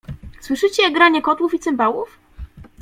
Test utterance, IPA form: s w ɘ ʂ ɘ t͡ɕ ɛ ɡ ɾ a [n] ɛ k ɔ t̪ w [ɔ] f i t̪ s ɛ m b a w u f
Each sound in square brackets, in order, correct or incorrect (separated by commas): incorrect, incorrect